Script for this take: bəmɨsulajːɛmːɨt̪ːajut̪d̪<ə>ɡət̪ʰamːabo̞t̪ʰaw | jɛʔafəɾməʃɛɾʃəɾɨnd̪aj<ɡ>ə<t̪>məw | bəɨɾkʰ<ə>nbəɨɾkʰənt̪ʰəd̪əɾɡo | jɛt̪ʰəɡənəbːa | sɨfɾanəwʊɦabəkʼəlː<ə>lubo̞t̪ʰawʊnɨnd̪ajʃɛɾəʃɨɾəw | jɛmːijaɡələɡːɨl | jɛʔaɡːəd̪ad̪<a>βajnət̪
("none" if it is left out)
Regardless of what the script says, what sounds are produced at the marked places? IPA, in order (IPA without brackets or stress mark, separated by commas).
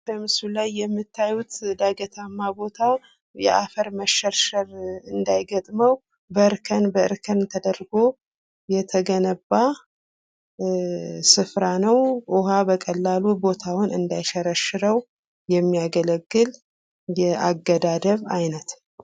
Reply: a, ɡ, t̪ʼ, ə, a, ə